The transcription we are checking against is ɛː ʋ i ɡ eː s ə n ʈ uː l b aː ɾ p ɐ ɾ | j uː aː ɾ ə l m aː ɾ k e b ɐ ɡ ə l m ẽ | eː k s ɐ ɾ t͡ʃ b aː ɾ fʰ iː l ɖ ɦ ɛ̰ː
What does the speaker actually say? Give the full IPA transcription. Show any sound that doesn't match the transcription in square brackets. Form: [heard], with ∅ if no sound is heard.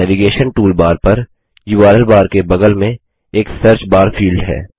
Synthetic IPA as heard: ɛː ʋ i ɡ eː [ʃ] ə n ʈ uː l b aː ɾ p ɐ ɾ | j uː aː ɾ ə l [b] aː ɾ k e b ɐ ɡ ə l m ẽ | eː k s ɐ ɾ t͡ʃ b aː ɾ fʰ iː l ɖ ɦ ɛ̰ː